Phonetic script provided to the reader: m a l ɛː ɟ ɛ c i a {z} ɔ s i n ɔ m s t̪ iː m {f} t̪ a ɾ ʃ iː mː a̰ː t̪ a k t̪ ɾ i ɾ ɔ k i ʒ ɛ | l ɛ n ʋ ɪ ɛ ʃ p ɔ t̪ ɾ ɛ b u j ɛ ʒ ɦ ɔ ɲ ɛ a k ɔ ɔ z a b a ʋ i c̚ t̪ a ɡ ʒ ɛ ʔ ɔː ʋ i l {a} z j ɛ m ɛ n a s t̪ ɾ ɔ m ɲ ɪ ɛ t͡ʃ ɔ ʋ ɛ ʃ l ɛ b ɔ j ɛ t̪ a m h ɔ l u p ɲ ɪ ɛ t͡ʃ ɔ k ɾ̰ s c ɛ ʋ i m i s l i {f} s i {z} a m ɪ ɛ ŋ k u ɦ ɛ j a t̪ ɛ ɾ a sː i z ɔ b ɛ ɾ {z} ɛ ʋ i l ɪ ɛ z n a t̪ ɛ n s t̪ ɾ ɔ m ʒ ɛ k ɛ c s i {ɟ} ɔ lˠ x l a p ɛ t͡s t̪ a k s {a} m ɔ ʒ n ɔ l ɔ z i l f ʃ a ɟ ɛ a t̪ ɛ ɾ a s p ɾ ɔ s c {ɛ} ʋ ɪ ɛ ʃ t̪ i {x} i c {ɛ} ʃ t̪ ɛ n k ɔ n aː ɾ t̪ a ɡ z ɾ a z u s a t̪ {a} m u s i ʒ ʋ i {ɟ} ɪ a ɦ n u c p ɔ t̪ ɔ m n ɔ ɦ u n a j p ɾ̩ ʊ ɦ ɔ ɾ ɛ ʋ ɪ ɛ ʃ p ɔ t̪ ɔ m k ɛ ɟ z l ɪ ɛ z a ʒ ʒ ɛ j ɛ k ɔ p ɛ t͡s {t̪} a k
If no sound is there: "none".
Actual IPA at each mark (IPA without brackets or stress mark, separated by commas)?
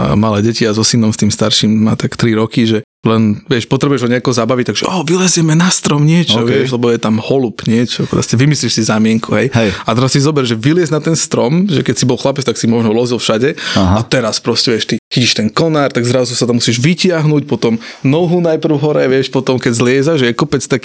z, s, ɛ, ʃ, z, ʒ, b, i, ɛ, x, i, a, c, t̪